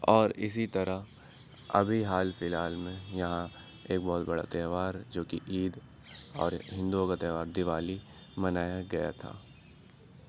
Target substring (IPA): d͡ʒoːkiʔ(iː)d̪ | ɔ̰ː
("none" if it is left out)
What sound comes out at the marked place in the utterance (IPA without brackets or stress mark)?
iː